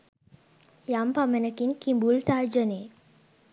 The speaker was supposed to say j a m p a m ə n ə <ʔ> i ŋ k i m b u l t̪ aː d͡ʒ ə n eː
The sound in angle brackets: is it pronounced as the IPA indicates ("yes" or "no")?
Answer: no